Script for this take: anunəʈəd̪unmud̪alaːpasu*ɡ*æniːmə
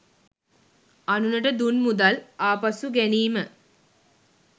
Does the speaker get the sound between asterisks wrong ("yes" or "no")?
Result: no